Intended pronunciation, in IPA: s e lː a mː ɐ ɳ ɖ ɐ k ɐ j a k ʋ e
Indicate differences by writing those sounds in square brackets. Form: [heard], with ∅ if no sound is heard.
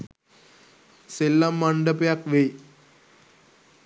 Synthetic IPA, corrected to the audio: s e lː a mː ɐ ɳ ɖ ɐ [p] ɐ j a k ʋ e